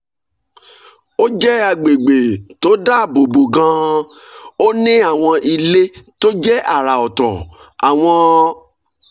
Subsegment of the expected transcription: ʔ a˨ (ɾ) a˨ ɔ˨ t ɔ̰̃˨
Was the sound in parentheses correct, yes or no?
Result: yes